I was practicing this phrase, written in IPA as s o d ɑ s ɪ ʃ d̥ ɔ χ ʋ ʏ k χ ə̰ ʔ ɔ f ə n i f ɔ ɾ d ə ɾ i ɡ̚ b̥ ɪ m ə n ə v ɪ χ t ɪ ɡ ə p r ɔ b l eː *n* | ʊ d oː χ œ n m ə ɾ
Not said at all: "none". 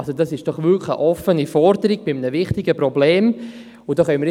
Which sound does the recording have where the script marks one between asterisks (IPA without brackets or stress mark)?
m